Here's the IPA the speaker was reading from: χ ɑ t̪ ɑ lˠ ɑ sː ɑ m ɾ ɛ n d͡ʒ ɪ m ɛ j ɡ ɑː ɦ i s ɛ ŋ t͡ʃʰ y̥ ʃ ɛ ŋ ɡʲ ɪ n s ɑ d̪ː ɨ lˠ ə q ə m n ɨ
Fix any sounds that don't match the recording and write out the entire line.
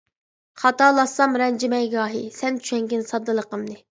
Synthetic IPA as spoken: χ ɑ t̪ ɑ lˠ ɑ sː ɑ m ɾ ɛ n d͡ʒ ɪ m ɛ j ɡ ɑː ɦ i s ɛ n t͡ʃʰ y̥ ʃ ɛ ŋ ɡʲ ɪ n s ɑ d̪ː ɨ lˠ ə q ə m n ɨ